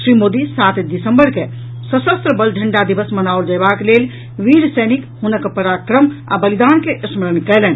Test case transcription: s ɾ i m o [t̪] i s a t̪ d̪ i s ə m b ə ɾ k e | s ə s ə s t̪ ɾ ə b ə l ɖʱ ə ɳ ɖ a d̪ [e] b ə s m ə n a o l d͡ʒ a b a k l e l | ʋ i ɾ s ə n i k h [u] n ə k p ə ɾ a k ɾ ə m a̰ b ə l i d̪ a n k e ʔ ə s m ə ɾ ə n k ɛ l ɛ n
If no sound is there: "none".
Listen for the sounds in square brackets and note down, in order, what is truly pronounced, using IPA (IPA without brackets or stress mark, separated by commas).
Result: d̪, i, u